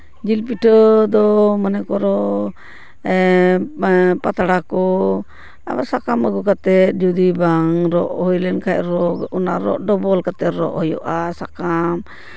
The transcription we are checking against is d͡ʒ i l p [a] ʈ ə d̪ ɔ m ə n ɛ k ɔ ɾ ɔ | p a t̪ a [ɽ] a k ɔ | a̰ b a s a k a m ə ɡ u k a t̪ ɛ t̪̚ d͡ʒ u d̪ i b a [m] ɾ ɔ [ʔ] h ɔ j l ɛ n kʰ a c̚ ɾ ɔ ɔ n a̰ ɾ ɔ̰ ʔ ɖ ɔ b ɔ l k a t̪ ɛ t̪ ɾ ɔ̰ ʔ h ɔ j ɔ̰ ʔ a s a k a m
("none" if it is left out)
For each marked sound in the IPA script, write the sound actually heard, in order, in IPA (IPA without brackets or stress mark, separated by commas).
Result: i, ɽ, ŋ, ʔ